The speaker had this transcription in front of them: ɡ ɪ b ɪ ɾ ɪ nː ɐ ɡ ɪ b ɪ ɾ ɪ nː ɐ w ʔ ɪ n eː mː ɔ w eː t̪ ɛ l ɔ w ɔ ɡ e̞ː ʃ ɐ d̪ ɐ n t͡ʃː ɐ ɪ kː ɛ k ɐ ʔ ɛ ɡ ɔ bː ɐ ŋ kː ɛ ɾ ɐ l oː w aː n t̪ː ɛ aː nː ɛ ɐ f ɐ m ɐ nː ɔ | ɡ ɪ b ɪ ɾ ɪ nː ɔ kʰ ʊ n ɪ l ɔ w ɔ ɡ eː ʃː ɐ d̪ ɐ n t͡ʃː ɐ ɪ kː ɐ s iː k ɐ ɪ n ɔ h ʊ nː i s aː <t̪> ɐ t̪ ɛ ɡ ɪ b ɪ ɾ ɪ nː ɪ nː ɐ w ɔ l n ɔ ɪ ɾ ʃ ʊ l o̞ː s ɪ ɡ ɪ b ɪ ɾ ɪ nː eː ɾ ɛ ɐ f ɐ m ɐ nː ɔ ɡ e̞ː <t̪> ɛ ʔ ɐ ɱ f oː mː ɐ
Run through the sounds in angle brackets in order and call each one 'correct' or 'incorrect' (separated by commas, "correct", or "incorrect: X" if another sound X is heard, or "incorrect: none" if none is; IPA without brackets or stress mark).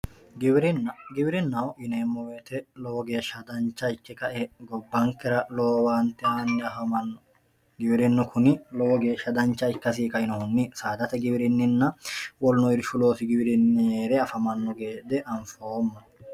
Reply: incorrect: d̪, incorrect: d̪